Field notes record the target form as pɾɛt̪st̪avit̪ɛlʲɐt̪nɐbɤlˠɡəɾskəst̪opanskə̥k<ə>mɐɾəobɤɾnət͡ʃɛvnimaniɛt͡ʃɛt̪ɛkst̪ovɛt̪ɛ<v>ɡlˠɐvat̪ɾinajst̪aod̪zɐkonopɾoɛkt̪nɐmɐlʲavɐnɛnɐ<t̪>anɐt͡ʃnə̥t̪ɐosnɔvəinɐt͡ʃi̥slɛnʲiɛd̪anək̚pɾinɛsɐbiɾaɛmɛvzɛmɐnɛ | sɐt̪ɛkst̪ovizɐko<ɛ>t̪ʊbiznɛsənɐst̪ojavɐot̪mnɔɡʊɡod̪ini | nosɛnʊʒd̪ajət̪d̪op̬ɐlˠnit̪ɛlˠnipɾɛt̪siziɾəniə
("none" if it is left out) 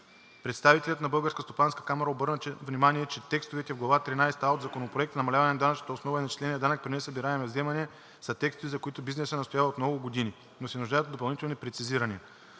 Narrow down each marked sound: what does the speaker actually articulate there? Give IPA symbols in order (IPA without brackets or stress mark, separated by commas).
a, v, d̪, i